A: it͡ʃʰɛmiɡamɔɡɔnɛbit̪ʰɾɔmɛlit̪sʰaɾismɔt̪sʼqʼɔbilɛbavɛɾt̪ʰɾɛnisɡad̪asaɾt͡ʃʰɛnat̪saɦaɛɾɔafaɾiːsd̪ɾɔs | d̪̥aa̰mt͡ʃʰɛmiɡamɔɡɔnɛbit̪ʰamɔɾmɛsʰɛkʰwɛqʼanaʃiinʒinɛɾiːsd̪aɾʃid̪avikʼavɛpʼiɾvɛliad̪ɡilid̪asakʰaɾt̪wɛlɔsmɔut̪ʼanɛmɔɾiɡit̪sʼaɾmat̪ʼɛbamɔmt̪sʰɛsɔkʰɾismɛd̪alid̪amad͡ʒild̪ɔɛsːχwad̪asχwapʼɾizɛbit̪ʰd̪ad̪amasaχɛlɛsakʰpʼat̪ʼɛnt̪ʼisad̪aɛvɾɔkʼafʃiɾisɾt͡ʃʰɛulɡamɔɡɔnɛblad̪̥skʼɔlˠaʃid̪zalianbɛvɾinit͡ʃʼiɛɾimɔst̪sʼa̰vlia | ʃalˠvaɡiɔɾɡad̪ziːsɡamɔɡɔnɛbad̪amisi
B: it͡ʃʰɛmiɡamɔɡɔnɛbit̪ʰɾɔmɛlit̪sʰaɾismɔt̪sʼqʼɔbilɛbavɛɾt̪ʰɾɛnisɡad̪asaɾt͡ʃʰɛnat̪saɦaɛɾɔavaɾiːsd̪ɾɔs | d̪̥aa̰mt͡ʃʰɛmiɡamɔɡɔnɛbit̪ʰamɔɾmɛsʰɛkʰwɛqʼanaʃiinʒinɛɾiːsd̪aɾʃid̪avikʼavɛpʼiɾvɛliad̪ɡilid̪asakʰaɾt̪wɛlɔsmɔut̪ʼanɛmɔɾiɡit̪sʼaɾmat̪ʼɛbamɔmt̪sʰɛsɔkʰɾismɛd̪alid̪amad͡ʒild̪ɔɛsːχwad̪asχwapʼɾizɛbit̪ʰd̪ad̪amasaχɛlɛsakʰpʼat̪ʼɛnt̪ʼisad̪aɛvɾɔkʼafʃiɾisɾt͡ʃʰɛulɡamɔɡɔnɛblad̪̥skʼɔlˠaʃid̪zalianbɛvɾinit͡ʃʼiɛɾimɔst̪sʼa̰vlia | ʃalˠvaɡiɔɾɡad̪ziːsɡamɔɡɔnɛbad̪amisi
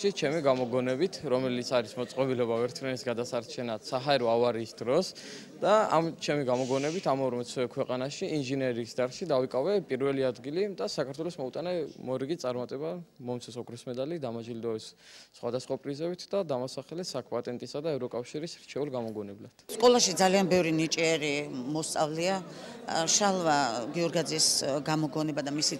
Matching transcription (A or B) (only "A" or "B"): B